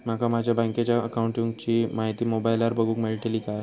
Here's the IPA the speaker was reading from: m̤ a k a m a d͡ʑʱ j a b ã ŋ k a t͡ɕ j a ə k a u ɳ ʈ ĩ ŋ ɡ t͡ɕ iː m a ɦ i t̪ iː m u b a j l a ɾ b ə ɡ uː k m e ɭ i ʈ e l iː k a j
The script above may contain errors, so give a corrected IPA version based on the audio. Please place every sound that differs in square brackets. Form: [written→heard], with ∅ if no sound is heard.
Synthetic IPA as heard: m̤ a k a m a d͡ʑʱ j a b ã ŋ k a t͡ɕ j a ə k a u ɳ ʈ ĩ ŋ ɡ t͡ɕ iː m a ɦ i t̪ iː m [u→o] b a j l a ɾ b ə ɡ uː k m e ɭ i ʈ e l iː k a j